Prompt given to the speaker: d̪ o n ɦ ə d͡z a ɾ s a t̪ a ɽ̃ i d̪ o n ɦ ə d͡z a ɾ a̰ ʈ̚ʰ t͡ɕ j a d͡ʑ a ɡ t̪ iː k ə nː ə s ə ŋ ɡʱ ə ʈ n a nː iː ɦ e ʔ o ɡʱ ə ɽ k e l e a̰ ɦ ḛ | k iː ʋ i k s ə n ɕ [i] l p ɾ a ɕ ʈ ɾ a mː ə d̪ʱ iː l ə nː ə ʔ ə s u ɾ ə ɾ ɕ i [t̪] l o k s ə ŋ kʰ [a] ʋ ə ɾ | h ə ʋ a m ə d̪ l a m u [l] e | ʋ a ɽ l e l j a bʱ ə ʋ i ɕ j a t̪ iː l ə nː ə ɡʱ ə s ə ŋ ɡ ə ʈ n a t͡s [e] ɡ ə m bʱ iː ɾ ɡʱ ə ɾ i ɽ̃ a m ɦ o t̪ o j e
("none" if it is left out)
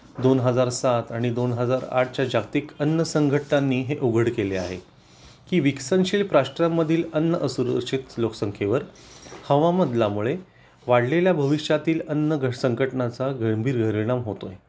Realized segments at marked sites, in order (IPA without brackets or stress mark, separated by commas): iː, t̪, e, ɭ, a